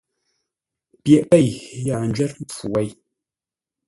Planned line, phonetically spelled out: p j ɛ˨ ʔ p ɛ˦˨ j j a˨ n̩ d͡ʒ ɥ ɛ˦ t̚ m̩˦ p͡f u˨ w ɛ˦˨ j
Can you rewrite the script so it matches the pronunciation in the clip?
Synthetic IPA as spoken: p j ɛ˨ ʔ p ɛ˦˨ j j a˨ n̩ d͡ʒ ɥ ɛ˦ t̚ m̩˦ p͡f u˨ w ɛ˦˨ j